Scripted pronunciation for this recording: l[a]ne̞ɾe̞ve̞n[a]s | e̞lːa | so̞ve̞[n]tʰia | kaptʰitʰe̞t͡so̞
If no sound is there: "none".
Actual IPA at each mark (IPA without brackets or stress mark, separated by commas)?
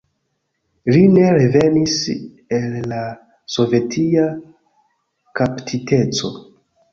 i, i, none